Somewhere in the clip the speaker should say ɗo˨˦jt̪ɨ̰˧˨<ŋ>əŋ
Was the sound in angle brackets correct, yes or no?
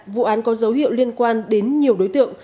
no